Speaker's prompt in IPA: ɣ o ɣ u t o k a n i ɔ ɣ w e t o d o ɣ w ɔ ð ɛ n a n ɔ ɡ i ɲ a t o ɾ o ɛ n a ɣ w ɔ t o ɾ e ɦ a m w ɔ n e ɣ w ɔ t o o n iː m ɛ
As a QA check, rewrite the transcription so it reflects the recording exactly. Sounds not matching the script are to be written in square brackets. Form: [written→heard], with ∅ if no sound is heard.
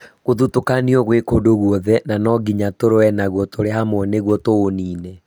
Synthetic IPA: ɣ o [ɣ→ð] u t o k a n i ɔ ɣ w e [t→k] o d o ɣ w ɔ ð ɛ n a n ɔ ɡ i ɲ a t o ɾ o ɛ n a ɣ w ɔ t o ɾ e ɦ a m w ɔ n e ɣ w ɔ t o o n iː [m→n] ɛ